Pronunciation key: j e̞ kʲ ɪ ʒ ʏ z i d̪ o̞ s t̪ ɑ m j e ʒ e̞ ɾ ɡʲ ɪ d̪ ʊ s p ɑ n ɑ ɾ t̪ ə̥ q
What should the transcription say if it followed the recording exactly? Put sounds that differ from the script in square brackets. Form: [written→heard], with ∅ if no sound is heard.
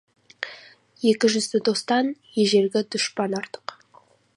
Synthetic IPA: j e̞ kʲ ɪ ʒ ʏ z [i→ɪ] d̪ o̞ s t̪ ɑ [m→n] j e ʒ e̞ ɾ ɡʲ ɪ d̪ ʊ [s→ʃ] p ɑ n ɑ ɾ t̪ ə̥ q